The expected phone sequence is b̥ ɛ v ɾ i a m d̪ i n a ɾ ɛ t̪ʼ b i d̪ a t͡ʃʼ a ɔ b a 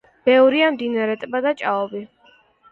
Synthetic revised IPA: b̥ ɛ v ɾ i a m d̪ i n a ɾ ɛ t̪ʼ b a d̪ a t͡ʃʼ a ɔ b i

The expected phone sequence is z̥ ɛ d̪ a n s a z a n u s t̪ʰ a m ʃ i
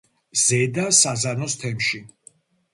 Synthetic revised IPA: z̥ ɛ d̪ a s a z a n ɔ s t̪ʰ ɛ m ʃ i

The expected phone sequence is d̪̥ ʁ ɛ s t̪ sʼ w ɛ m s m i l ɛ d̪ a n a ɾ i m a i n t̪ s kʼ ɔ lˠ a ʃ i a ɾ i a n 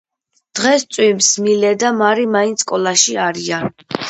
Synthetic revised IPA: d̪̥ ʁ ɛ s t̪ sʼ w i m s m i l ɛ d̪ a m a ɾ i m a i n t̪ s kʼ ɔ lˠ a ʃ i a ɾ i a n

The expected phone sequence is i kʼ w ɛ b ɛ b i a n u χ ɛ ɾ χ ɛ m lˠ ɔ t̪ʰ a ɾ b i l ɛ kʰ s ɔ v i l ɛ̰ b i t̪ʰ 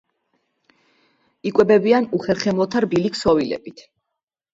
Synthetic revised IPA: i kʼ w ɛ b ɛ b i a n u χ ɛ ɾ χ ɛ m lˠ ɔ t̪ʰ a ɾ b i l i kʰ s ɔ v i l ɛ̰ b i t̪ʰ

